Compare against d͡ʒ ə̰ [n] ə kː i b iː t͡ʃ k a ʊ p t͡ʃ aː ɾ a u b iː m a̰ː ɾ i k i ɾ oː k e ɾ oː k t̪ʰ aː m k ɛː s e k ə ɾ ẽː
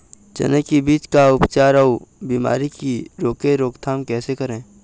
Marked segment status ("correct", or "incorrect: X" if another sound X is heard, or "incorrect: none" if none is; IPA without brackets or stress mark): correct